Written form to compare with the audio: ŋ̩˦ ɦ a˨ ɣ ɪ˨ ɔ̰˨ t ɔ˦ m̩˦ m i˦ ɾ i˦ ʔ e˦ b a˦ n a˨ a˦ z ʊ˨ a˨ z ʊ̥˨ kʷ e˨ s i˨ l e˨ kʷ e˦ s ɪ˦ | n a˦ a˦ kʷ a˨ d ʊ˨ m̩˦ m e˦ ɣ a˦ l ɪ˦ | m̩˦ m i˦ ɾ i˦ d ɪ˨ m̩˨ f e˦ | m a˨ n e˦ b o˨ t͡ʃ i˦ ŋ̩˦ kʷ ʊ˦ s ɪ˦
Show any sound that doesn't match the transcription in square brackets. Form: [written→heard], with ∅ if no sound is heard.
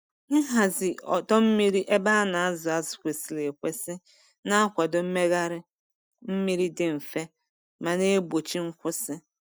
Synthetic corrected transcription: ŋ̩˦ ɦ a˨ [ɣ→z] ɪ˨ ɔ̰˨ t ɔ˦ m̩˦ m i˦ ɾ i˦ ʔ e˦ b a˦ n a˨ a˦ z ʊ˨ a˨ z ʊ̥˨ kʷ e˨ s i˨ l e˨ kʷ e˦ s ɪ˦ | n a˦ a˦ kʷ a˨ d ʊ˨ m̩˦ m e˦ ɣ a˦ [l→ɾ] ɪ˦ | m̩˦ m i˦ ɾ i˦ d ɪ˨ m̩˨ f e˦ | m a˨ n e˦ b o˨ t͡ʃ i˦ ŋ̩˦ kʷ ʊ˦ s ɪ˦

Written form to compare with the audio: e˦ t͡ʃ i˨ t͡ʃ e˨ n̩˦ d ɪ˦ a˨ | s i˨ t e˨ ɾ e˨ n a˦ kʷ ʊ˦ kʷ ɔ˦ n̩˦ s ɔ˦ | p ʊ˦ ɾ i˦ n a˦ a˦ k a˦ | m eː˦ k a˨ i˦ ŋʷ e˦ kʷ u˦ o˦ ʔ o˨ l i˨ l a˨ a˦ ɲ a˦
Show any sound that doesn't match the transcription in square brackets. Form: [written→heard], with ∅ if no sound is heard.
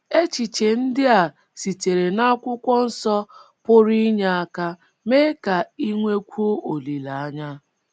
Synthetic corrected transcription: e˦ t͡ʃ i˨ t͡ʃ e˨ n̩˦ d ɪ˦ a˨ | s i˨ t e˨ ɾ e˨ n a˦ kʷ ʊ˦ kʷ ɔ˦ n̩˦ s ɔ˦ | p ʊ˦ ɾ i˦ [n→ɲ] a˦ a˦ k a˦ | m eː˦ k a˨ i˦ ŋʷ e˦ kʷ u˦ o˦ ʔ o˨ l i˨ l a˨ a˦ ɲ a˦

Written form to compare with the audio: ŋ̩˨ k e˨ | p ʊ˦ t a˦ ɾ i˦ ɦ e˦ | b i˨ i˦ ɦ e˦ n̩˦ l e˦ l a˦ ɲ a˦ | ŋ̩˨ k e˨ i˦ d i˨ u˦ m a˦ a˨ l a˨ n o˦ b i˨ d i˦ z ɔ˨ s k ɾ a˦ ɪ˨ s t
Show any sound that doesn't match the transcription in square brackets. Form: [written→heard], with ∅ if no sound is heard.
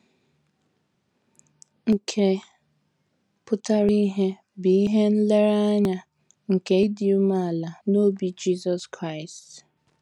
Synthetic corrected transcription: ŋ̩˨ [k→kʰ] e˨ | p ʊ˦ t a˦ ɾ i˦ ɦ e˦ | b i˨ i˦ ɦ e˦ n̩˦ l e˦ [l→ɾ] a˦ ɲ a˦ | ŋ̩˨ k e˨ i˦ d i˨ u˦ m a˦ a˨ l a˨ n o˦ b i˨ [d→d͡ʒ] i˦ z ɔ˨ s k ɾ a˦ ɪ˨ s t

